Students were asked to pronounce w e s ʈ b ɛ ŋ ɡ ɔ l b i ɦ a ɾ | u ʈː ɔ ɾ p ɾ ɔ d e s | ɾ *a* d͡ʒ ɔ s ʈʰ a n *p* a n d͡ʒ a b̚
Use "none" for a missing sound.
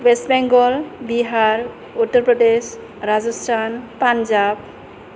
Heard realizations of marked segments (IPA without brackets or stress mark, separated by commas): a, p